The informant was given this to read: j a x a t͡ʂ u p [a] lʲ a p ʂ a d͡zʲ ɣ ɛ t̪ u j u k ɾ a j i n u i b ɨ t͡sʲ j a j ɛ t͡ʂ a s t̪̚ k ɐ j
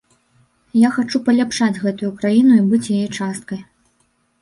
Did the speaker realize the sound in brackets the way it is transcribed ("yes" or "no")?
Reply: no